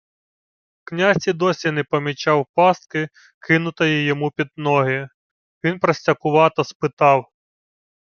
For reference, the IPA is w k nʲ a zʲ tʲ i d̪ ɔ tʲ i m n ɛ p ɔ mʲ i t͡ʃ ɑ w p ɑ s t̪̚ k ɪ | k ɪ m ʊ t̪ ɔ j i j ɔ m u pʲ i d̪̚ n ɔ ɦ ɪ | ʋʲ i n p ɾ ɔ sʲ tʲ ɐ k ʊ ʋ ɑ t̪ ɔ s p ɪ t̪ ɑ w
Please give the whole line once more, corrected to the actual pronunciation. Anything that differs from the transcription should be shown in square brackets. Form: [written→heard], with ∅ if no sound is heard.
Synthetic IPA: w k nʲ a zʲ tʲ i d̪ ɔ [tʲ→sʲ] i [m→∅] n ɛ p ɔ mʲ i t͡ʃ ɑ w p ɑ s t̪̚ k ɪ | k ɪ [m→n] ʊ t̪ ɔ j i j ɔ m u pʲ i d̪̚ n ɔ ɦ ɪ | ʋʲ i n p ɾ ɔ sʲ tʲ ɐ k ʊ ʋ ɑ t̪ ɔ s p ɪ t̪ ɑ w